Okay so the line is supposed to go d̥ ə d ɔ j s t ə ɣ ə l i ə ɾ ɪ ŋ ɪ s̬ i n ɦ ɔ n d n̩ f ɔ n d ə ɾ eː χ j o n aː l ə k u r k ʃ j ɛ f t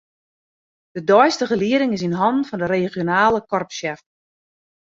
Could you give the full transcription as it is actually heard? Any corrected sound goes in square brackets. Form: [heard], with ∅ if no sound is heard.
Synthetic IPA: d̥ ə d ɔ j s t ə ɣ ə l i ə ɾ ɪ ŋ ɪ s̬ i n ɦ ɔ n d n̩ f ɔ n d ə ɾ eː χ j o n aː l ə k [ɔ] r [p] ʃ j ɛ f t